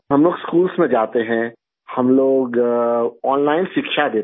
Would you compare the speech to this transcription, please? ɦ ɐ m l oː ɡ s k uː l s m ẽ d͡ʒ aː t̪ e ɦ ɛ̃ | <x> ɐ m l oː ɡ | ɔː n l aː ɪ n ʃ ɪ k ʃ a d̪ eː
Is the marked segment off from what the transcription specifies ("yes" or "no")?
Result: yes